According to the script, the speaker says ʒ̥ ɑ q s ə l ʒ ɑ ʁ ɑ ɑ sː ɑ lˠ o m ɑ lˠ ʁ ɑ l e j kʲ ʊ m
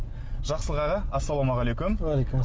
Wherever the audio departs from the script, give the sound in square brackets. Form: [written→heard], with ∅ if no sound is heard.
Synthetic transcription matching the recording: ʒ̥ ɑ q s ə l [ʒ→ʁ] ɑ ʁ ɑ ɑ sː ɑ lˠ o m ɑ [lˠ→∅] ʁ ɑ l e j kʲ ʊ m